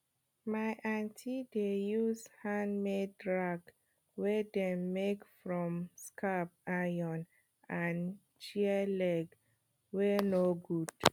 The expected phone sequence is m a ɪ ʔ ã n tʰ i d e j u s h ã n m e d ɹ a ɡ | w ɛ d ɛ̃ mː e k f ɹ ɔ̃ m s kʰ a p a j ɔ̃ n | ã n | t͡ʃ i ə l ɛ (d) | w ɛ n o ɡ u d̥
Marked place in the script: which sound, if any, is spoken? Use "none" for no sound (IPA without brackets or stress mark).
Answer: ɡ